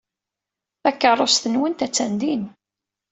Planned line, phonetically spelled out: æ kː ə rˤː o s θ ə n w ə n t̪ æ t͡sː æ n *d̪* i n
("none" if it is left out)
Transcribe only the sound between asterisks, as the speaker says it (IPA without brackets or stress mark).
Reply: d̪